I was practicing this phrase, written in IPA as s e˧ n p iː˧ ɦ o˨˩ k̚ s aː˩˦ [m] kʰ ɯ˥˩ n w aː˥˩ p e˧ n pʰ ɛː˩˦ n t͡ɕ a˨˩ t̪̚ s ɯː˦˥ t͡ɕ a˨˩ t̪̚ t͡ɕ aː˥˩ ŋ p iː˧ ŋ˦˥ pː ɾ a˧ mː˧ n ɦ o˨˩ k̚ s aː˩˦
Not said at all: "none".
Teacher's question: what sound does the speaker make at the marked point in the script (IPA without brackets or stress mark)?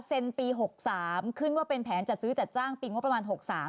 m